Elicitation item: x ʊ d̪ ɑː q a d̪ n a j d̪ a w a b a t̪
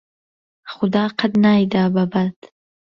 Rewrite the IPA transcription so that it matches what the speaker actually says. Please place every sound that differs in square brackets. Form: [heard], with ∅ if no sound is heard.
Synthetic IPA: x ʊ d̪ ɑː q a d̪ n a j d̪ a [b] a b a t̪

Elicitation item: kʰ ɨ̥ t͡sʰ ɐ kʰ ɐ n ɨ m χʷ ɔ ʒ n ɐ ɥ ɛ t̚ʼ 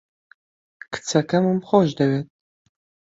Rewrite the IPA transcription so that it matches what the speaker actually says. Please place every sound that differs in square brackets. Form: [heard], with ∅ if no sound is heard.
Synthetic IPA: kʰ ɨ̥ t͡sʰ ɐ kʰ ɐ [m] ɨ m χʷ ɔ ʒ [d] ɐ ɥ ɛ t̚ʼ

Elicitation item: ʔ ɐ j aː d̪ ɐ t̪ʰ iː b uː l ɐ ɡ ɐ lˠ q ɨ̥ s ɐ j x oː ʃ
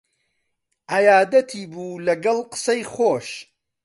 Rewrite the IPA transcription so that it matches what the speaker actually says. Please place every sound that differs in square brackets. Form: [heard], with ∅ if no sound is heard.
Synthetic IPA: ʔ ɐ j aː d̪ ɐ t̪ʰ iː b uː l ɐ ɡ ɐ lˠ q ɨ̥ s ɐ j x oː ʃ

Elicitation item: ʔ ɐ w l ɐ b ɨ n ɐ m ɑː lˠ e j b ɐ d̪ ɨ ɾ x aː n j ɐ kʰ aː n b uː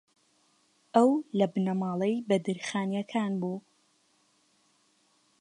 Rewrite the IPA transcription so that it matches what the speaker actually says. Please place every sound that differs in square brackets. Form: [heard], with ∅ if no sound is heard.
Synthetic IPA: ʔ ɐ w l ɐ b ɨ n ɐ m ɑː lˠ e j b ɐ d̪ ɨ ɾ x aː n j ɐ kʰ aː n b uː

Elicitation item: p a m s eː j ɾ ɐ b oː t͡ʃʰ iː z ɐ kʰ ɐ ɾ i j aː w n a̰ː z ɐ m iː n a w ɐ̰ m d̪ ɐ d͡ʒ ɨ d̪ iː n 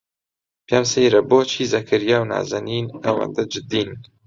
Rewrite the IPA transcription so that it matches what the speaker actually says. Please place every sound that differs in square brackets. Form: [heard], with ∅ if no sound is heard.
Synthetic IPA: p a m s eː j ɾ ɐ b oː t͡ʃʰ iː z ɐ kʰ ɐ ɾ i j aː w n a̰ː z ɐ [n] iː n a w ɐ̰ [n] d̪ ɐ d͡ʒ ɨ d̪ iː n

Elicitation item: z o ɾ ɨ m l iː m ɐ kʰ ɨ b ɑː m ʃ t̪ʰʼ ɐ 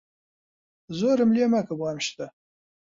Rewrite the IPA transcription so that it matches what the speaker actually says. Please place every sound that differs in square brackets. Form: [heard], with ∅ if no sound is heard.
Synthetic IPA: z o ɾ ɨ m l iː m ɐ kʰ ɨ b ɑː m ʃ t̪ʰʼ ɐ

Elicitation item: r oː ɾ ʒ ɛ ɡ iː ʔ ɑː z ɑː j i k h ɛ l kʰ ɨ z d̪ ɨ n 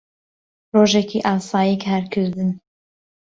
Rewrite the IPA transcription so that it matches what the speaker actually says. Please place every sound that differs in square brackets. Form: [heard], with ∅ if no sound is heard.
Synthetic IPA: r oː [∅] ʒ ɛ [k] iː ʔ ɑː [s] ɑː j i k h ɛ [ɾ] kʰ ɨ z d̪ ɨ n

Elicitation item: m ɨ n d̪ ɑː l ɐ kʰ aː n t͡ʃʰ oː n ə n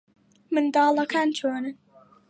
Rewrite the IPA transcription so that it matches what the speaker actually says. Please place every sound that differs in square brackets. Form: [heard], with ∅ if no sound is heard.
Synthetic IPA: m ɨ n d̪ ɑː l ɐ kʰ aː n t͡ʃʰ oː n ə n

